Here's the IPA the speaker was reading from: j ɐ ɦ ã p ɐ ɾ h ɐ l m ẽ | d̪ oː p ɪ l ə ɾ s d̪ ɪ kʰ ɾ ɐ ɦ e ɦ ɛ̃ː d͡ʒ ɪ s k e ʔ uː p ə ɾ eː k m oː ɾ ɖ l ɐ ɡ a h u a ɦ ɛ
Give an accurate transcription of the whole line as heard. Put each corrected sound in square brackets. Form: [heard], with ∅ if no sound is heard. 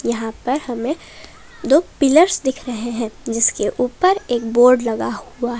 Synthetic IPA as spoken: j ɐ ɦ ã p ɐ ɾ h ɐ [∅] m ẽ | d̪ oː p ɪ l ə ɾ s d̪ ɪ kʰ ɾ ɐ ɦ e ɦ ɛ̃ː d͡ʒ ɪ s k e ʔ uː p ə ɾ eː k [b] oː ɾ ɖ l ɐ ɡ a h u a ɦ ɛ